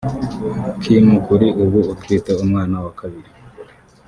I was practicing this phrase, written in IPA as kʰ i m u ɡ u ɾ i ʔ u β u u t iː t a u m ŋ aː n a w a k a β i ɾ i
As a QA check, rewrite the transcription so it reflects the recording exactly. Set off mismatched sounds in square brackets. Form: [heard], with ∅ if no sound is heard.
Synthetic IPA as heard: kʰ i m u [k] u ɾ i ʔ u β u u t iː t [e] u m ŋ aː n a w a k a β i ɾ i